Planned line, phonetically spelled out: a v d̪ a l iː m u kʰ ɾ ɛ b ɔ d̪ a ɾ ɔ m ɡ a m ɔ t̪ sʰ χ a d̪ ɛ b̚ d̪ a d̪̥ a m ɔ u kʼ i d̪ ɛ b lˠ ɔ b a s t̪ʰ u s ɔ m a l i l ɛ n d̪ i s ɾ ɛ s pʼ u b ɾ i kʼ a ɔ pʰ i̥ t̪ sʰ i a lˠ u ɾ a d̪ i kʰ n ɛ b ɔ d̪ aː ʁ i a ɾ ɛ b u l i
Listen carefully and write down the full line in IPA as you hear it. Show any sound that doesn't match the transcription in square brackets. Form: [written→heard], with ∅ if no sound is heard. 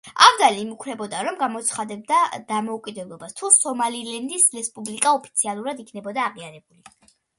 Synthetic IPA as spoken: a v d̪ a l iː m u kʰ ɾ ɛ b ɔ d̪ a ɾ ɔ m ɡ a m ɔ t̪ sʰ χ a d̪ ɛ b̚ d̪ a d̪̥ a m ɔ u kʼ i d̪ ɛ b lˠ ɔ b a s t̪ʰ u s ɔ m a l i l ɛ n d̪ i s ɾ ɛ s pʼ u b [ɾ→l] i kʼ a ɔ pʰ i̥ t̪ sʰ i a lˠ u ɾ a d̪ i kʰ n ɛ b ɔ d̪ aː ʁ i a ɾ ɛ b u l i